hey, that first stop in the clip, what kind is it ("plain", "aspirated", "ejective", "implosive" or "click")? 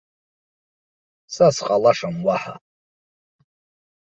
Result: ejective